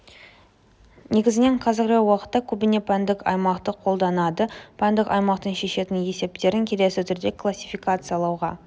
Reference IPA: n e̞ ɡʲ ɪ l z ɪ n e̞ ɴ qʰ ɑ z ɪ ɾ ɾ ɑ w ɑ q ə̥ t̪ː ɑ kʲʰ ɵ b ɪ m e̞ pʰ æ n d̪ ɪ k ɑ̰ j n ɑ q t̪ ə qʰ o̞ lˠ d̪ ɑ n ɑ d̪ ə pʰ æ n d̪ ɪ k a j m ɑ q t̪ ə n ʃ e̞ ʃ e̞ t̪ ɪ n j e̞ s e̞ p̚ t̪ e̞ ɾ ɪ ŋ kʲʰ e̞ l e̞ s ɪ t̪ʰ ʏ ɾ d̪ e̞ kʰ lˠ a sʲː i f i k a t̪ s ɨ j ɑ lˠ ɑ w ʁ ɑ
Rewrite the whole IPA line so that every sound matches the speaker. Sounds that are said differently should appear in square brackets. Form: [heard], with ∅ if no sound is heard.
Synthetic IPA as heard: n e̞ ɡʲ ɪ [∅] z ɪ n e̞ ɴ qʰ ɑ z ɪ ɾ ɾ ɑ w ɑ q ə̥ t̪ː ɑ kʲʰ ɵ b ɪ [n] e̞ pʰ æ n d̪ ɪ k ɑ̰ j [m] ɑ q t̪ ə qʰ o̞ lˠ d̪ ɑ n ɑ d̪ ə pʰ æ n d̪ ɪ k [ɑ] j m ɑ q t̪ ə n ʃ e̞ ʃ e̞ t̪ ɪ n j e̞ s e̞ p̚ t̪ e̞ ɾ ɪ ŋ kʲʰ e̞ l e̞ s ɪ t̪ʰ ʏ ɾ d̪ e̞ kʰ lˠ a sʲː i f i k a t̪ s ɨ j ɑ lˠ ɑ w ʁ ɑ

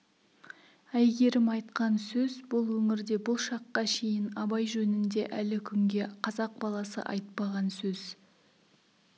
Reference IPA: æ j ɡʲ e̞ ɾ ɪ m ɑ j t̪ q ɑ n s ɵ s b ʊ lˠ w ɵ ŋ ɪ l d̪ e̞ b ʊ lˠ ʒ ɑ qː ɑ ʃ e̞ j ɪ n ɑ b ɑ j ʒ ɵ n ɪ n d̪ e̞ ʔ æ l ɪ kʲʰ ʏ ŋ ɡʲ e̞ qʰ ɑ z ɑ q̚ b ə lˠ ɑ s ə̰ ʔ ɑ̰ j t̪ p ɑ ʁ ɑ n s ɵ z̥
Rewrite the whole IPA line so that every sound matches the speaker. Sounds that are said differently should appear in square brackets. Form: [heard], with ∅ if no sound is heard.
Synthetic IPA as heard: æ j ɡʲ e̞ ɾ ɪ m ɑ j t̪ q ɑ n s ɵ [z] b ʊ lˠ w ɵ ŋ ɪ [ɾ] d̪ e̞ b ʊ lˠ [ʃ] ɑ qː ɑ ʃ e̞ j ɪ n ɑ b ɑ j ʒ ɵ n ɪ n d̪ e̞ ʔ æ l ɪ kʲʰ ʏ ŋ ɡʲ e̞ qʰ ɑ z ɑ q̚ b [ɑ] lˠ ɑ s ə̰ ʔ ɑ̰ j t̪ p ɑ ʁ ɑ n s ɵ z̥

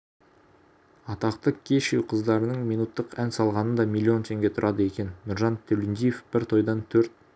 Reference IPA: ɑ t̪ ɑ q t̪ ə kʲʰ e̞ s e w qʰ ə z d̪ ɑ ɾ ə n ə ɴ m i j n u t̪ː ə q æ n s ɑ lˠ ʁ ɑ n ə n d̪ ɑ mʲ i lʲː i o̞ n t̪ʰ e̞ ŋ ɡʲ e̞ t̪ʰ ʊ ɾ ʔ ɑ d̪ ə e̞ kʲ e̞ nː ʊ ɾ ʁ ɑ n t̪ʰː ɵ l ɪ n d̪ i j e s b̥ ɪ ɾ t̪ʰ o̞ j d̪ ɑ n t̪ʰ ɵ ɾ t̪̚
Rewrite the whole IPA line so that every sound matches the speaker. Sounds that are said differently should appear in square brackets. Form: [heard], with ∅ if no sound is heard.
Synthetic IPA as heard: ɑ t̪ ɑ q t̪ ə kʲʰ e̞ [ʃ] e w qʰ ə z d̪ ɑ ɾ ə n ə ɴ m i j n u t̪ː ə q æ n s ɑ lˠ ʁ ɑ n ə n d̪ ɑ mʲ i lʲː i o̞ n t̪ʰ e̞ ŋ ɡʲ e̞ t̪ʰ ʊ ɾ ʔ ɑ d̪ ə e̞ kʲ e̞ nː ʊ ɾ [ʒ] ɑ n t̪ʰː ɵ l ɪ n d̪ i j e [f] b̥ ɪ ɾ t̪ʰ o̞ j d̪ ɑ n t̪ʰ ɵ ɾ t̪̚

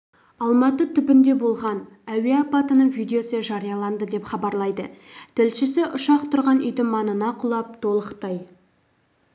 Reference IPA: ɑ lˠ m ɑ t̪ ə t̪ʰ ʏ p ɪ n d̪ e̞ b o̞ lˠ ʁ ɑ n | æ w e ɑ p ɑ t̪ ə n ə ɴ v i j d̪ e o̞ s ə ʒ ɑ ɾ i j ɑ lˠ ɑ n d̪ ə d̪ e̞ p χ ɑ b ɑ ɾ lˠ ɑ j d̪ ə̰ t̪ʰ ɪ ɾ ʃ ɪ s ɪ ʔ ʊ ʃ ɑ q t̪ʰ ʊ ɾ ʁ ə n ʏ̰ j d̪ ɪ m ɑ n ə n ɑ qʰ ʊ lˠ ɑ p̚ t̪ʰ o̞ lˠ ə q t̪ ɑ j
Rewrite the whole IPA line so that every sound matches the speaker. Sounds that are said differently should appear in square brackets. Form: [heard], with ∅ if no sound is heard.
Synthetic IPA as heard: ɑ lˠ m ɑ t̪ ə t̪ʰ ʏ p ɪ n d̪ e̞ b o̞ lˠ ʁ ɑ n | æ w e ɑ p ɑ t̪ ə n ə ɴ v i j d̪ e o̞ s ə ʒ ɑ ɾ i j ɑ lˠ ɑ n d̪ ə d̪ e̞ p χ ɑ b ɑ ɾ lˠ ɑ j d̪ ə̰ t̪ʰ ɪ [l] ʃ ɪ s ɪ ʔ ʊ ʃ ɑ q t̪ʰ ʊ ɾ ʁ [ɑ] n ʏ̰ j d̪ ɪ m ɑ n ə n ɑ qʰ ʊ lˠ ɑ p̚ t̪ʰ o̞ lˠ ə q t̪ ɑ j

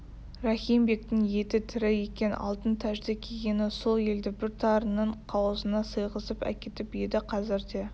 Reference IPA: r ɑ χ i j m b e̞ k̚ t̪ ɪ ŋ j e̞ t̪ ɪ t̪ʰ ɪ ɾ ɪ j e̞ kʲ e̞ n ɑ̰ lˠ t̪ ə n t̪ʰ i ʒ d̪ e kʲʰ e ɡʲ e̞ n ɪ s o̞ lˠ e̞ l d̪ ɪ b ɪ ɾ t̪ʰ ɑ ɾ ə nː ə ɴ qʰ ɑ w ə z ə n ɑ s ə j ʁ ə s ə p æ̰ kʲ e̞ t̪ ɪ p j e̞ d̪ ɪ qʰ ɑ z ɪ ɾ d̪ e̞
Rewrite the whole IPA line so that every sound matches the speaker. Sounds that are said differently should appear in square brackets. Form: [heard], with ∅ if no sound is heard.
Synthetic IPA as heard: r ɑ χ i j m b e̞ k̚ t̪ ɪ ŋ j e̞ t̪ ɪ t̪ʰ ɪ ɾ ɪ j e̞ kʲ e̞ n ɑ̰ lˠ t̪ ə n t̪ʰ [æ] ʒ d̪ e kʲʰ e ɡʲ e̞ n ɪ s o̞ lˠ e̞ l d̪ ɪ b ɪ ɾ t̪ʰ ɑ ɾ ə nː ə ɴ qʰ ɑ w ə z ə n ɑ s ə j ʁ ə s ə p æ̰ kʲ e̞ t̪ ɪ p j e̞ d̪ ɪ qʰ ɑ z ɪ ɾ d̪ e̞

